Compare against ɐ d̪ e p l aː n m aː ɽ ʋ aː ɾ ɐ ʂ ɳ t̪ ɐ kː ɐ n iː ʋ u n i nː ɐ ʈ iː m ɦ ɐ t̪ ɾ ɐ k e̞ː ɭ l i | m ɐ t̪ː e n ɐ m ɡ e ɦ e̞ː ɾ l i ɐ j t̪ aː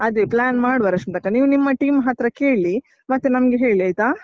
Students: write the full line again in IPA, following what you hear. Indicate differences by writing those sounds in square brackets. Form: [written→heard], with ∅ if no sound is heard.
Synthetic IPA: ɐ d̪ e p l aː n m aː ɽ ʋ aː ɾ ɐ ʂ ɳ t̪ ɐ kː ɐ n iː ʋ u n i [nː→mː] ɐ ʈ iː m ɦ ɐ t̪ ɾ ɐ k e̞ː ɭ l i | m ɐ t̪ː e n ɐ m ɡ e ɦ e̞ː [ɾ→ɭ] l i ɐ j t̪ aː